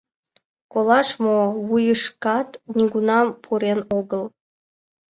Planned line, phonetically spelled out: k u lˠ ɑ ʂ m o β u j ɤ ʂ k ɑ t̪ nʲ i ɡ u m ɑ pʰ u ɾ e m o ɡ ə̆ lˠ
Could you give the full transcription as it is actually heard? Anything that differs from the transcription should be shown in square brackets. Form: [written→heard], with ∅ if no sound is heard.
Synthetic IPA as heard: k [u→o] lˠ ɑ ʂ m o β u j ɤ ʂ k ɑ t̪ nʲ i ɡ u [m→n] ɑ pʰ u ɾ e [m→n] o ɡ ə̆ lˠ